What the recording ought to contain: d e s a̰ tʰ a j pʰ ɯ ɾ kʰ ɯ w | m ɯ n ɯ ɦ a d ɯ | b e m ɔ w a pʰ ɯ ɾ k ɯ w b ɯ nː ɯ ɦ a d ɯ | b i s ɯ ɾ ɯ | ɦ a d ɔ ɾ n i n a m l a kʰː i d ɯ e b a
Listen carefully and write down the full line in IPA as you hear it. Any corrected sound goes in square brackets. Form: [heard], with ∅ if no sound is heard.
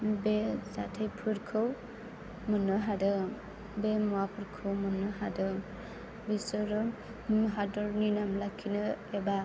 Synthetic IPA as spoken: [b] e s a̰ tʰ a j pʰ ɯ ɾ kʰ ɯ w | m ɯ n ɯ ɦ a d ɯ | b e m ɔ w a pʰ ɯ ɾ [kʰ] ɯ w [m] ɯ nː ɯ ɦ a d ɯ | b i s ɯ ɾ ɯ | ɦ a d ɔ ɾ n i n a m l a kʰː i [n] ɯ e b a